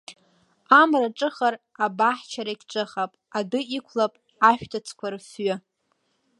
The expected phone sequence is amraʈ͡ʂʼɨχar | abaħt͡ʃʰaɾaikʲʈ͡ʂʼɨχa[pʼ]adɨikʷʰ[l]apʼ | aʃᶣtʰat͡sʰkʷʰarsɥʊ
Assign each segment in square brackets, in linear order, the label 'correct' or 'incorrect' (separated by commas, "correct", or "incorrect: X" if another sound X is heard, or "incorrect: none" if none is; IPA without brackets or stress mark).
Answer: correct, correct